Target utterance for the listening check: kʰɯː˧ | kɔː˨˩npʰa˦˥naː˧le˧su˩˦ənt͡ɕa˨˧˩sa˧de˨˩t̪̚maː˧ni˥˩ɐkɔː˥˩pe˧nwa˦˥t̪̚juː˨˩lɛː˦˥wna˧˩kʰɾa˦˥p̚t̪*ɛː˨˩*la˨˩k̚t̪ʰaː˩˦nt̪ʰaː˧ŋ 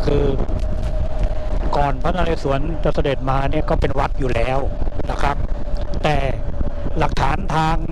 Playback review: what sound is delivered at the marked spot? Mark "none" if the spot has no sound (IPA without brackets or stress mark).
ɛː˨˩